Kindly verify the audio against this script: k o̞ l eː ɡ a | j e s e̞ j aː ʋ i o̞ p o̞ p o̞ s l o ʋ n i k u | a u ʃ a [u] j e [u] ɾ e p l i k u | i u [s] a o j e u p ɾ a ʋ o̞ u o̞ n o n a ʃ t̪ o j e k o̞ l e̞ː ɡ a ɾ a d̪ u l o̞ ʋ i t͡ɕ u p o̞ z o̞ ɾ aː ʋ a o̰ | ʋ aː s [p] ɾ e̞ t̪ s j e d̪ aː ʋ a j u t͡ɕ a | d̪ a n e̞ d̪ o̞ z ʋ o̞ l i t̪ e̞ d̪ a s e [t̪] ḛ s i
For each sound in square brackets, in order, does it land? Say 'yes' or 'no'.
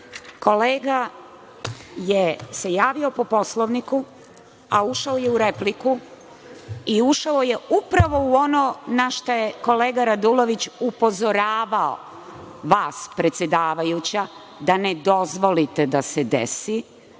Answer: no, yes, no, yes, no

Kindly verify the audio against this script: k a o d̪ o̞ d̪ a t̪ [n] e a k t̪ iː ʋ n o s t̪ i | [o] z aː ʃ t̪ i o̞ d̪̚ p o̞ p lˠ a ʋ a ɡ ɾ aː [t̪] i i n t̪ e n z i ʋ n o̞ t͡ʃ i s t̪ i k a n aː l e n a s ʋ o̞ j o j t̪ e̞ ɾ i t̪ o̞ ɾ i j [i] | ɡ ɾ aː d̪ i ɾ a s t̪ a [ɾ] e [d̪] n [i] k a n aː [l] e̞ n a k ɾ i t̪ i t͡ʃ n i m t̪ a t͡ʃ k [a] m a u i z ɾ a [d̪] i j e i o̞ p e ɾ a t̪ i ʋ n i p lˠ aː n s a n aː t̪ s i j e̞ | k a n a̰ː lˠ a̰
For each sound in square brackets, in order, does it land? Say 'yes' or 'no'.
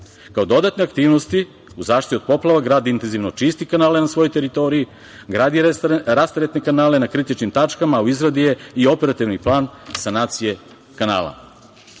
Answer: yes, no, no, yes, yes, no, no, yes, yes, yes

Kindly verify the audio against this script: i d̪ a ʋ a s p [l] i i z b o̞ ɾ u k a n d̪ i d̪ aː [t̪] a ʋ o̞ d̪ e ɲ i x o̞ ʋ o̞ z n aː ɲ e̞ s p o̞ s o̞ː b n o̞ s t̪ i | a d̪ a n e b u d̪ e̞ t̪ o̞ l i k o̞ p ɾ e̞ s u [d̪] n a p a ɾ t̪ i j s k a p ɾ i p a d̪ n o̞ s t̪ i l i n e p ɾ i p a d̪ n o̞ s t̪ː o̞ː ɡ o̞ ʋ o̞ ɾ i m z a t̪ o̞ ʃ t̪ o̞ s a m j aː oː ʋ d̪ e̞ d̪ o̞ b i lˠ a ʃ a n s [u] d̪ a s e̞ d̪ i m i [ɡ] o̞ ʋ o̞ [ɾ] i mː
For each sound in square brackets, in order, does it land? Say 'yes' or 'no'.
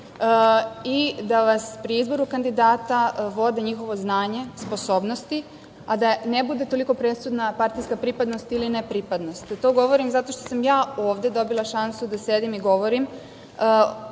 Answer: no, yes, yes, yes, yes, yes

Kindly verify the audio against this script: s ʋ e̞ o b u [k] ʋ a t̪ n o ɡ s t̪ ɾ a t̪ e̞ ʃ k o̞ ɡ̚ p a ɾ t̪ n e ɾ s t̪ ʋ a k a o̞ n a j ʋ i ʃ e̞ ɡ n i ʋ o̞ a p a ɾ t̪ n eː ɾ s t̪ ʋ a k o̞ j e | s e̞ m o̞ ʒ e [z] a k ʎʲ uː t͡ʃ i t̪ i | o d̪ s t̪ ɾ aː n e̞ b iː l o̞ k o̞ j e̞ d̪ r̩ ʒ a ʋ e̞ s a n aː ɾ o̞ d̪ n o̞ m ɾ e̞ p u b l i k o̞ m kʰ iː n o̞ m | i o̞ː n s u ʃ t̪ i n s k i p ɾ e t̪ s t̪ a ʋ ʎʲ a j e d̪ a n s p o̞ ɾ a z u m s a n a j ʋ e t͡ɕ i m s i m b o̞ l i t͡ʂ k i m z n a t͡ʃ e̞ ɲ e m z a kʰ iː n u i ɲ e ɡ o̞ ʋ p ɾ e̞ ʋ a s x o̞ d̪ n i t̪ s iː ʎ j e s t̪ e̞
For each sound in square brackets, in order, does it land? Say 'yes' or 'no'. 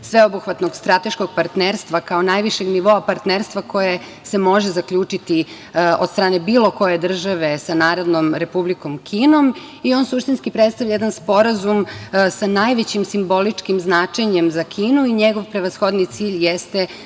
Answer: no, yes

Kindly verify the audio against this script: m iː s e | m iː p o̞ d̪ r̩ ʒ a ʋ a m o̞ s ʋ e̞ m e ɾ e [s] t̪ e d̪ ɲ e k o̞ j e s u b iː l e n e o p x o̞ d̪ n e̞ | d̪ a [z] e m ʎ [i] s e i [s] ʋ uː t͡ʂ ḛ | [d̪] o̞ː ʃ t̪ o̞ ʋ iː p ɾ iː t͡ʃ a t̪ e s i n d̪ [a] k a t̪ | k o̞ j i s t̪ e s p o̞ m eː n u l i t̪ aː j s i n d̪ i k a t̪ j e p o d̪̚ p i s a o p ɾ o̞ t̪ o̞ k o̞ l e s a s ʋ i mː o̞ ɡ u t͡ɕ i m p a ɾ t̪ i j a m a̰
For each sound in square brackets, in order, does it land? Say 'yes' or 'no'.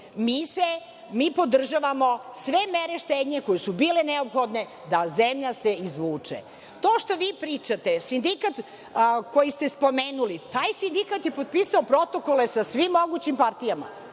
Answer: no, yes, no, no, no, no

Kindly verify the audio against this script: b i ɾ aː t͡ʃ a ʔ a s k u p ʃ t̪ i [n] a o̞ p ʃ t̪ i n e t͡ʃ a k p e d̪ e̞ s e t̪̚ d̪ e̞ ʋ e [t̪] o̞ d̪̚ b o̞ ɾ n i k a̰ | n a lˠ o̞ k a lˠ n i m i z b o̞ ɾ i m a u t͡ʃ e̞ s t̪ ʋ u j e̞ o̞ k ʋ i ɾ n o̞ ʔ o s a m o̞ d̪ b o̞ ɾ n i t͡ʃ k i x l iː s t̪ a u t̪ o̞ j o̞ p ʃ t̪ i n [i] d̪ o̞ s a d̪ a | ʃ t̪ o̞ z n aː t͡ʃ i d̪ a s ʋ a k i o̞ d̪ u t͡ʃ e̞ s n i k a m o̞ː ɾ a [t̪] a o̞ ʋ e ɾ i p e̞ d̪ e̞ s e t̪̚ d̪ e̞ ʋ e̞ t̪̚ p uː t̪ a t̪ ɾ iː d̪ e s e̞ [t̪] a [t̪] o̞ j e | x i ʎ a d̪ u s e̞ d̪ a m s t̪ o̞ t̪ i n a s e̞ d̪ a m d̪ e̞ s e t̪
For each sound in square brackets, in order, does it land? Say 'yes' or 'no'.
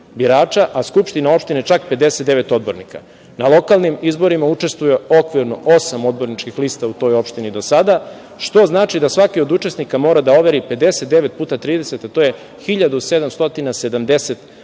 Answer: yes, yes, yes, no, yes, yes

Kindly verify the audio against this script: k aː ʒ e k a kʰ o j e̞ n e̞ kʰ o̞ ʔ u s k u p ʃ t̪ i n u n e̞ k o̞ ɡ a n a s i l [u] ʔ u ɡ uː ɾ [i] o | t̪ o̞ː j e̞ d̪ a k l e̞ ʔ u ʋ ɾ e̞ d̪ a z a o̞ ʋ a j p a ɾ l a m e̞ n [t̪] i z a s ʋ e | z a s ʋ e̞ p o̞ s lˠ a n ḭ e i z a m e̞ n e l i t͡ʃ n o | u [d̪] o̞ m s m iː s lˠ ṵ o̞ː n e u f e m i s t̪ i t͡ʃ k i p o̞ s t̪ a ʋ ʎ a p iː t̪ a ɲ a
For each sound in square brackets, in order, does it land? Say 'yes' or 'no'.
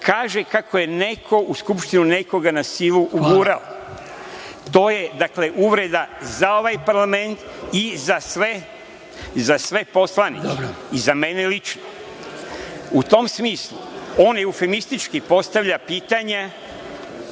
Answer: yes, no, yes, no

